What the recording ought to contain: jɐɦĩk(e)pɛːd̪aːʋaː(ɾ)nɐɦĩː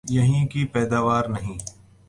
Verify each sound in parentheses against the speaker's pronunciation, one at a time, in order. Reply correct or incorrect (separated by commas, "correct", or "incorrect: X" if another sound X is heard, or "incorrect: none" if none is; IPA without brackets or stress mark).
incorrect: i, correct